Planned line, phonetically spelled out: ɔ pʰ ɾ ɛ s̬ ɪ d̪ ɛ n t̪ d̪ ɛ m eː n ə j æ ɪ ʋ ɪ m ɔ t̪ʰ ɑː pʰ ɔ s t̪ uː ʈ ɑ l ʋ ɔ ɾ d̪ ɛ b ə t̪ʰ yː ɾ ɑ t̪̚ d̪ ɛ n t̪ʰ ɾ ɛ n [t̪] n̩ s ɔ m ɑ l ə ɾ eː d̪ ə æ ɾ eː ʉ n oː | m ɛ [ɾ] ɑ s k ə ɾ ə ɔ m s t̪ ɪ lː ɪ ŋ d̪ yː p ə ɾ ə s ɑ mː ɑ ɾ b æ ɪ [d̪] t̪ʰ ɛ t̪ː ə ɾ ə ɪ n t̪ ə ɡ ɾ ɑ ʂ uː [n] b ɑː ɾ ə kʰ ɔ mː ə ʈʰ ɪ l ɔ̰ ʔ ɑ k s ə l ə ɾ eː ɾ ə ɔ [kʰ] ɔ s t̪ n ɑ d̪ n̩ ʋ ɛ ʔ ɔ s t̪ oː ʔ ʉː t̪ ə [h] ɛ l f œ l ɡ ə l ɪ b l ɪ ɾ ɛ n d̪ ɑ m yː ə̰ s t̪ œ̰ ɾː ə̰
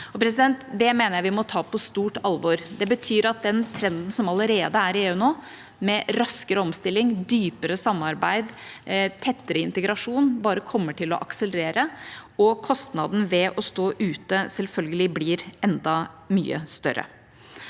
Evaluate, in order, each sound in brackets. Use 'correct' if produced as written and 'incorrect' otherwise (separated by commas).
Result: incorrect, correct, correct, correct, correct, incorrect